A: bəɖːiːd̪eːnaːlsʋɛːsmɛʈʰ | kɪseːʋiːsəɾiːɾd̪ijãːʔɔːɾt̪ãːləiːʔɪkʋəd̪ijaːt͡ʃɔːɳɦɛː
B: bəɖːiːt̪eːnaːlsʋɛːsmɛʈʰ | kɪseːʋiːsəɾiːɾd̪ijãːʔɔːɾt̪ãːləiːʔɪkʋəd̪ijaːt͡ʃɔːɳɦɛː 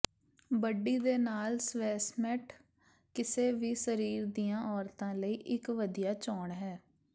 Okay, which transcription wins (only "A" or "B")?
A